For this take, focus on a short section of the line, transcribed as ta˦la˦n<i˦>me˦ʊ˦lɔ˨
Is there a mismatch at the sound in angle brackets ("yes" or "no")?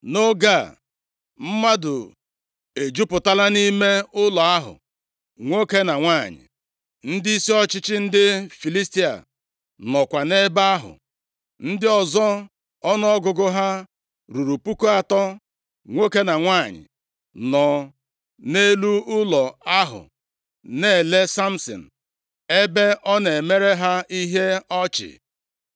no